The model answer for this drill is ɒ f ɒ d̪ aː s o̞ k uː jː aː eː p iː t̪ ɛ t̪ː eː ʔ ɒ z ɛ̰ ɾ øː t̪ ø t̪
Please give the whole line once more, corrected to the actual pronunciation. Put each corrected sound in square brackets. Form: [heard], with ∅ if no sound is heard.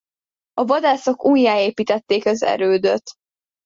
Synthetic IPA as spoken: ɒ [v] ɒ d̪ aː s o̞ k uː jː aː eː p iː t̪ ɛ t̪ː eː [k] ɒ z ɛ̰ ɾ øː [d̪] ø t̪